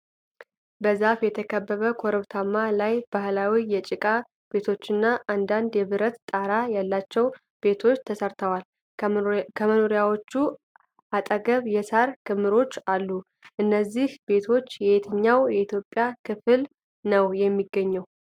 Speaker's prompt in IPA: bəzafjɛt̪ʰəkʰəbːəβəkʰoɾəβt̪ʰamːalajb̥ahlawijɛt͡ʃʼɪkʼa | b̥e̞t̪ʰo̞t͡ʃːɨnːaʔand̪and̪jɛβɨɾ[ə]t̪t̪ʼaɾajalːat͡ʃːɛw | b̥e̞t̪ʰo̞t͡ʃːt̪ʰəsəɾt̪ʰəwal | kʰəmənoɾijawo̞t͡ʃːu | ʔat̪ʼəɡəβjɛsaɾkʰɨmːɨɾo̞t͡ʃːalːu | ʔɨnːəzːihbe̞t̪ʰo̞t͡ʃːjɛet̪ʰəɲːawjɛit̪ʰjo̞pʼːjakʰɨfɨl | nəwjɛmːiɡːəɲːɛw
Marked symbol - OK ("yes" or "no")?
yes